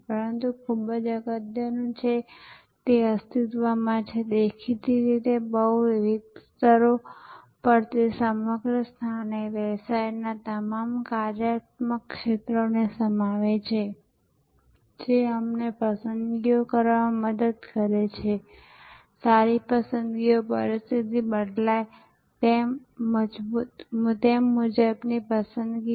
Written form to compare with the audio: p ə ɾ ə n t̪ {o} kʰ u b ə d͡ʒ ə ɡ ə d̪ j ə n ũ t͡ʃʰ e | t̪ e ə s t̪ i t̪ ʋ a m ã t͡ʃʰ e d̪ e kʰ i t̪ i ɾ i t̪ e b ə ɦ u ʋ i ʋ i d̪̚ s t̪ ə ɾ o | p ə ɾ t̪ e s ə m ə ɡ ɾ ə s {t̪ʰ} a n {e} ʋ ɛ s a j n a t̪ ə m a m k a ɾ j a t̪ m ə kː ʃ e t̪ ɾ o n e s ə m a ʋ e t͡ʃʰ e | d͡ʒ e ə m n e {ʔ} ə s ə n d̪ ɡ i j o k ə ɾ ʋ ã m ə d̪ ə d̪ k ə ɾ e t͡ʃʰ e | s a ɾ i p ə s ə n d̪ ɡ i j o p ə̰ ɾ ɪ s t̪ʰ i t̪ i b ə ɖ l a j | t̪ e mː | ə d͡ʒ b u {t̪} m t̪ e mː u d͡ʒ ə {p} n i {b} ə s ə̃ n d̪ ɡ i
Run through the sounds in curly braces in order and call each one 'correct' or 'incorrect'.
incorrect: u, correct, correct, incorrect: p, correct, incorrect: b, incorrect: p

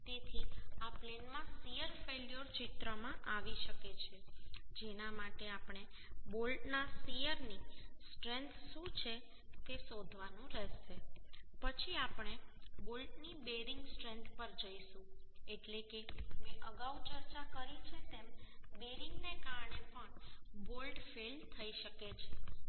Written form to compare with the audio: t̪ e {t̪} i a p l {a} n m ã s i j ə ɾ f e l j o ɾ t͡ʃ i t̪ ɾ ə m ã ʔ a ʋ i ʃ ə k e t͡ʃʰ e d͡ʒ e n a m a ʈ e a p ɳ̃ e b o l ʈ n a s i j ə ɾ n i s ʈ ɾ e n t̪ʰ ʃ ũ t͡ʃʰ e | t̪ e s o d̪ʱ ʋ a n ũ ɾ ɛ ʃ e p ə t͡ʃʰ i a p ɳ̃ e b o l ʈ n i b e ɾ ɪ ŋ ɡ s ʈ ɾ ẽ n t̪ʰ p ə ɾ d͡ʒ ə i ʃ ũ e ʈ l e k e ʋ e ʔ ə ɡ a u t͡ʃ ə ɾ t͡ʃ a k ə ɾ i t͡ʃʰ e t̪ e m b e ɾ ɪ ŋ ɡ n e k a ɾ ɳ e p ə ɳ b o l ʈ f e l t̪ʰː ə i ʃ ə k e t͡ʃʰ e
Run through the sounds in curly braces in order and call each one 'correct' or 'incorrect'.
incorrect: t̪ʰ, incorrect: e

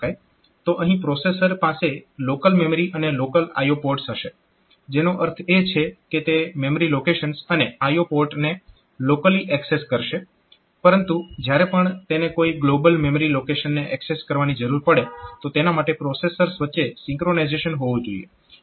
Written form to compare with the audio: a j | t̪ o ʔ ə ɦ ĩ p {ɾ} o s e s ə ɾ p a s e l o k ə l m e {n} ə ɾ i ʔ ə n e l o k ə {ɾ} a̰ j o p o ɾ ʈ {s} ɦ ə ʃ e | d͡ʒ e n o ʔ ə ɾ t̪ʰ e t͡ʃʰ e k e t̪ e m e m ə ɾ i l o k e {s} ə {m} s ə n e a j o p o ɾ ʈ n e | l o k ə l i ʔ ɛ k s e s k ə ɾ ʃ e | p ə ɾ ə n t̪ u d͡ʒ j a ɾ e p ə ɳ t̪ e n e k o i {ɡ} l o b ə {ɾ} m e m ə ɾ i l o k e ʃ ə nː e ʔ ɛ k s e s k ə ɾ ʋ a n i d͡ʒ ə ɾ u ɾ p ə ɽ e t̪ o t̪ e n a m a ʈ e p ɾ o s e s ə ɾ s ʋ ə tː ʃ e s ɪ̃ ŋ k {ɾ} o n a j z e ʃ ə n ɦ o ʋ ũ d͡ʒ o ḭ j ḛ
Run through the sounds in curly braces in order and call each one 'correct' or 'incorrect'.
correct, incorrect: m, incorrect: l, correct, incorrect: ʃ, incorrect: n, correct, incorrect: l, correct

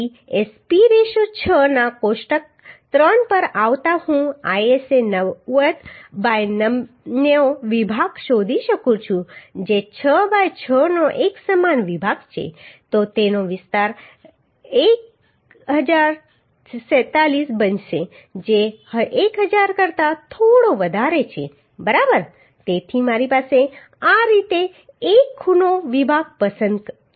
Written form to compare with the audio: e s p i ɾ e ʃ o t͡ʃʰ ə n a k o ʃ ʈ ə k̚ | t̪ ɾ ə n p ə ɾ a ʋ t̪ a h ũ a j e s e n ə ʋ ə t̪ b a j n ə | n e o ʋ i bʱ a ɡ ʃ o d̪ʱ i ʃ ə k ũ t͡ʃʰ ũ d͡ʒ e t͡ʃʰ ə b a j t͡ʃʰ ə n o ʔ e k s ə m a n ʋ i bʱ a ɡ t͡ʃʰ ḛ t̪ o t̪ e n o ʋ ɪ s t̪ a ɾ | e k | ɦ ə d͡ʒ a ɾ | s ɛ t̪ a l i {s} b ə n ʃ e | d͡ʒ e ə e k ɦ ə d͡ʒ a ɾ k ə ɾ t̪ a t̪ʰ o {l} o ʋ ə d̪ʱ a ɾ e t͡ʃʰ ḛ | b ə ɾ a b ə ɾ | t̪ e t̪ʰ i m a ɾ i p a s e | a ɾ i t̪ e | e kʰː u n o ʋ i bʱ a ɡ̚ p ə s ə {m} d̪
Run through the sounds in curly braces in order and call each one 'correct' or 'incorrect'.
correct, incorrect: ɽ, incorrect: n

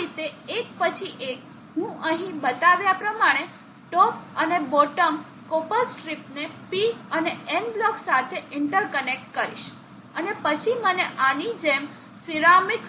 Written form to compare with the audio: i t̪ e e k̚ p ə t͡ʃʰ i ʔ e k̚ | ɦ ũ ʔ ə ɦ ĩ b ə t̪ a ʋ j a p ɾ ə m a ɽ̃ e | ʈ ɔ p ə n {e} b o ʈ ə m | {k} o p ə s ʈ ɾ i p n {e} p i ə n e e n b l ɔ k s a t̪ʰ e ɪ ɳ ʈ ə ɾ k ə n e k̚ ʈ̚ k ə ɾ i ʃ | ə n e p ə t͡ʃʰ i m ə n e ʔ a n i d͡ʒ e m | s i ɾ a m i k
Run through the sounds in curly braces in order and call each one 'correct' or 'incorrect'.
correct, correct, correct

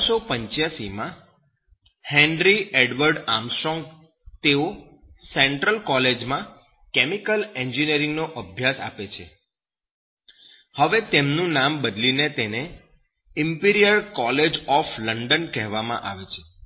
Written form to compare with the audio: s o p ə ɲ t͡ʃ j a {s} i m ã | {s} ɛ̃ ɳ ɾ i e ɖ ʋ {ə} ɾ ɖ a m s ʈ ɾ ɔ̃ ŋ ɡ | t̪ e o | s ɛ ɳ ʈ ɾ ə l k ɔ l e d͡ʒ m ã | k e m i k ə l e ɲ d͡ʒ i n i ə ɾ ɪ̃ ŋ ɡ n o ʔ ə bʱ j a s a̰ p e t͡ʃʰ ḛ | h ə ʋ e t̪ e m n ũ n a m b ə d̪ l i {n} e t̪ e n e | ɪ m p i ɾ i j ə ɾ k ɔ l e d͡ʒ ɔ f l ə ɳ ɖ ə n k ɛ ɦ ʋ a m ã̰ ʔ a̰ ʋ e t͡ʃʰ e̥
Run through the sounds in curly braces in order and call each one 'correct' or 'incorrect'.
correct, incorrect: h, correct, correct

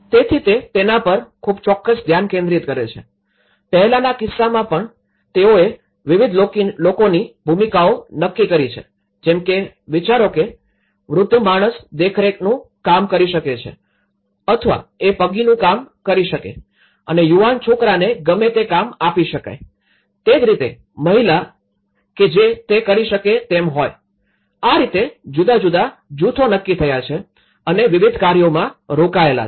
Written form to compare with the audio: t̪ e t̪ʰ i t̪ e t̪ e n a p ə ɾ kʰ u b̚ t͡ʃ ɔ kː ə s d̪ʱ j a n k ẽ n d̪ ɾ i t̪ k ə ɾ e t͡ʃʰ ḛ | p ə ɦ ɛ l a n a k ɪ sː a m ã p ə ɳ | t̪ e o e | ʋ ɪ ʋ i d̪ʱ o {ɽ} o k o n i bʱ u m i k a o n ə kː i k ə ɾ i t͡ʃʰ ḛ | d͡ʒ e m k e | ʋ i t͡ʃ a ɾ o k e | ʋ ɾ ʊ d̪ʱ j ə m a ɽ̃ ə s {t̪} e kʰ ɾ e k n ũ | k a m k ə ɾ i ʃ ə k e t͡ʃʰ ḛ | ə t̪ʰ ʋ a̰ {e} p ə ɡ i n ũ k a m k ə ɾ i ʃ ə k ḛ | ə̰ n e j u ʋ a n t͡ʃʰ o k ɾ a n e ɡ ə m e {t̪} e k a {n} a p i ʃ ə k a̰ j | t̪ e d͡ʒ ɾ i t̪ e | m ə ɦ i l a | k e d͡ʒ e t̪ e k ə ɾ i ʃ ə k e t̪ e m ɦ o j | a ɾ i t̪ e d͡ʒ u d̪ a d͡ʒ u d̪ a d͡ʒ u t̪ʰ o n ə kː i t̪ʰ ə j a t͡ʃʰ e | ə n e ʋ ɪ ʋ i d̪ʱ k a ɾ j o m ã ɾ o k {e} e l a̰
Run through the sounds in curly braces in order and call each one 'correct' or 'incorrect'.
incorrect: l, incorrect: d̪, correct, correct, incorrect: m, incorrect: a

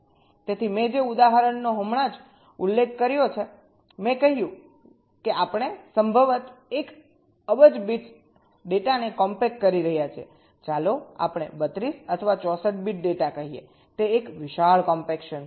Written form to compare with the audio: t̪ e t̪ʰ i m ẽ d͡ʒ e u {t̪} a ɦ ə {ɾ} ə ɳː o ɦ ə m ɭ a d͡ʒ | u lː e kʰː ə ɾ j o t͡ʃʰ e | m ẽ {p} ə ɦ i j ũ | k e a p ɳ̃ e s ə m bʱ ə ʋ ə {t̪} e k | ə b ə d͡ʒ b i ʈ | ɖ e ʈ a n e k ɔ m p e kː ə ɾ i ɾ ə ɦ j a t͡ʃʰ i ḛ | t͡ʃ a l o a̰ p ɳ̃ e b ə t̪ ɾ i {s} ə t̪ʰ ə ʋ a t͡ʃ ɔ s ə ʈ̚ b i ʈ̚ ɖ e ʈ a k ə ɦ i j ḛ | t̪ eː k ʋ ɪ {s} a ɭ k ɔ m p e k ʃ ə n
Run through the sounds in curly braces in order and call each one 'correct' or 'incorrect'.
incorrect: d̪, correct, incorrect: k, correct, correct, incorrect: ʃ

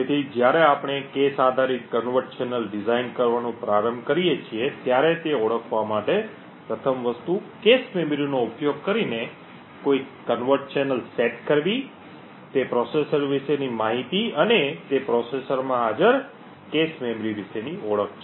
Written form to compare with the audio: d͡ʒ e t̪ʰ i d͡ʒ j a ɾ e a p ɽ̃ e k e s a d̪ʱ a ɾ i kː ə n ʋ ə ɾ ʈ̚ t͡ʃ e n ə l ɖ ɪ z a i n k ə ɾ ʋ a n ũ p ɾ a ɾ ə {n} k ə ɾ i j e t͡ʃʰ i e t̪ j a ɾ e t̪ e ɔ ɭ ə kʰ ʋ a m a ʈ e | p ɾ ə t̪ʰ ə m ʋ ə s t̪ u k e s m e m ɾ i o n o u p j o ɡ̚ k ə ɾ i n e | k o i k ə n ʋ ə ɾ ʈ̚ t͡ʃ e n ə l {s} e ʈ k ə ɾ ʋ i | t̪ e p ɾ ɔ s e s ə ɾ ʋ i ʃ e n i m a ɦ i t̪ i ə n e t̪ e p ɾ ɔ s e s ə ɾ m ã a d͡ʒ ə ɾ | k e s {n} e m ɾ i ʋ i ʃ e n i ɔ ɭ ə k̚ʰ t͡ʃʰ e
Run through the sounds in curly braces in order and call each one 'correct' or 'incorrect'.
incorrect: m, correct, incorrect: m

